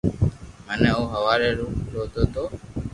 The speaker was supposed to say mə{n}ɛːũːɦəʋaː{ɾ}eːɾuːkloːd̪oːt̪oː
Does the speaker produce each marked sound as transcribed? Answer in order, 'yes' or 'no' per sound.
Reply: yes, yes

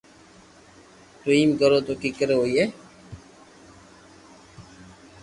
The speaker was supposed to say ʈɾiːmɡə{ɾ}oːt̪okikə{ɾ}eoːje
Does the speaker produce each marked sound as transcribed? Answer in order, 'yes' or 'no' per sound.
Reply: yes, yes

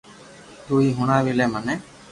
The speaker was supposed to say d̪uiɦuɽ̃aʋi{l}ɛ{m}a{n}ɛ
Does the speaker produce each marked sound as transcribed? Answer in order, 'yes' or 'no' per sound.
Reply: yes, yes, yes

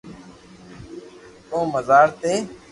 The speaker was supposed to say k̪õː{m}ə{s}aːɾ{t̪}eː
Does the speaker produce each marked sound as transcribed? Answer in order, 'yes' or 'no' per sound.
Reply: yes, no, yes

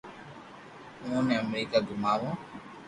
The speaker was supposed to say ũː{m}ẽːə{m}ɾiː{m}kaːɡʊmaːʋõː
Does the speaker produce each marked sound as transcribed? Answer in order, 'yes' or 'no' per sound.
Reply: no, yes, no

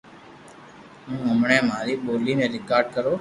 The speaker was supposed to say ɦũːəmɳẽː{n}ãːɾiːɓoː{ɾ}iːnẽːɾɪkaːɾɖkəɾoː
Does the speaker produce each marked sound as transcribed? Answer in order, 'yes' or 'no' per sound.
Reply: no, no

